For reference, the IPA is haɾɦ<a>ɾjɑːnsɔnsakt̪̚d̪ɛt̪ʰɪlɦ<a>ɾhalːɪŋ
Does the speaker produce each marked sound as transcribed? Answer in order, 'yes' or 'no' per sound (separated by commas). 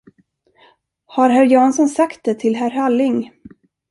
no, no